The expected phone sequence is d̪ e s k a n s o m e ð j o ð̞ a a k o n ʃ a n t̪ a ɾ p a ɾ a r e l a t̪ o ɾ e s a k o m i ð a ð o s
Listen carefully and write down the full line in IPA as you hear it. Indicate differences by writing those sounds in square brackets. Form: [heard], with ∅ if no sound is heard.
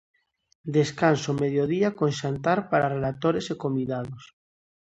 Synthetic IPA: d̪ e s k a n s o m e ð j o ð̞ [i] a k o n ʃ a n t̪ a ɾ p a ɾ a r e l a t̪ o ɾ e s [e] k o m i ð a ð o s